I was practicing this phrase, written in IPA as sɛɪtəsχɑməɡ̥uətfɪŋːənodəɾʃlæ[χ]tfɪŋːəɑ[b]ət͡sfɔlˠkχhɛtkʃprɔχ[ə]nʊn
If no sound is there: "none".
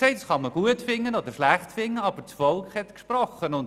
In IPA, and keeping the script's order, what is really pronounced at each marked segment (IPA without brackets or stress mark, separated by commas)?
χ, b, ə